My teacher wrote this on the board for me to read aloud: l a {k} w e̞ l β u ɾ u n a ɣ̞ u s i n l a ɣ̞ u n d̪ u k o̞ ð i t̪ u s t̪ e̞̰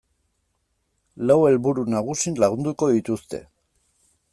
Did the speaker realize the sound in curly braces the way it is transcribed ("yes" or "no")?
no